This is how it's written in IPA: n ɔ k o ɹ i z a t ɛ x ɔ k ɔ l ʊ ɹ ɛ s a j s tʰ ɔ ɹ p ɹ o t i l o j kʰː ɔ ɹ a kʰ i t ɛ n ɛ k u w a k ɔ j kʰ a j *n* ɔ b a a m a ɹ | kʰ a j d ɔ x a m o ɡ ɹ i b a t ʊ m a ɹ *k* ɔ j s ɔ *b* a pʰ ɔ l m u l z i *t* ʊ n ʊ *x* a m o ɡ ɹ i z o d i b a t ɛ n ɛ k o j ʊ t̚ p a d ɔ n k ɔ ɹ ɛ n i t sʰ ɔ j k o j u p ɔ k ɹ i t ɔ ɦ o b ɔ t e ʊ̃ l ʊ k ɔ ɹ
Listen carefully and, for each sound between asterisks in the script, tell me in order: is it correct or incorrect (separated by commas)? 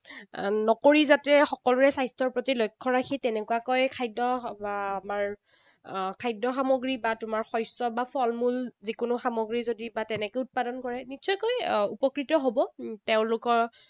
incorrect, incorrect, correct, incorrect, correct